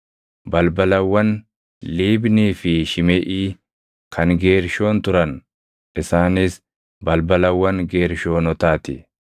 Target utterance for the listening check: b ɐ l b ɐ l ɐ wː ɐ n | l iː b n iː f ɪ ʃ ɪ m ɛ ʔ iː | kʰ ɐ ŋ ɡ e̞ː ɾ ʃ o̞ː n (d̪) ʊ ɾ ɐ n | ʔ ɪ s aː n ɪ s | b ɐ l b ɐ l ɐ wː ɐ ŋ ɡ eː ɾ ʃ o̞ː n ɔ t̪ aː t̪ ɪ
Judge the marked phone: incorrect: t̪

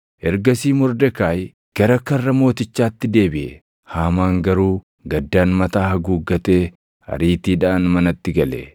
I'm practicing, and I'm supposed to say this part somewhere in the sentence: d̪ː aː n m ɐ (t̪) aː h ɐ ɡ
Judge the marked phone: correct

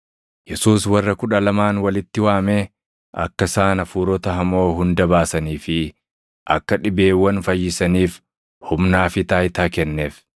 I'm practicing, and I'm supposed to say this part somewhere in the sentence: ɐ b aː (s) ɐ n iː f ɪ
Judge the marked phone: correct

